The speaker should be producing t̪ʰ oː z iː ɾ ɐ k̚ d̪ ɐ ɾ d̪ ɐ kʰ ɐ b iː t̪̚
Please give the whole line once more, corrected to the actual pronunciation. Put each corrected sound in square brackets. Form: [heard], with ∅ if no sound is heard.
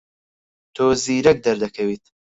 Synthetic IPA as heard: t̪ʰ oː z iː ɾ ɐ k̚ d̪ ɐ ɾ d̪ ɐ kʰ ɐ [w] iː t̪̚